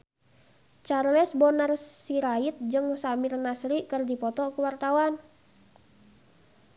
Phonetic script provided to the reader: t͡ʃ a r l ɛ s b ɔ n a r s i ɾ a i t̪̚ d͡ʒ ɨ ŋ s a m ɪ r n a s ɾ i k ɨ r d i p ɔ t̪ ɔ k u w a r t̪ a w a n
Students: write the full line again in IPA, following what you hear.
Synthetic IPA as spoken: t͡ʃ a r l ɛ s b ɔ n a r s i ɾ a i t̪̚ d͡ʒ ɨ ŋ s a m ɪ r n a s ɾ i k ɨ r d i p ɔ t̪ ɔ k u w a r t̪ a w a n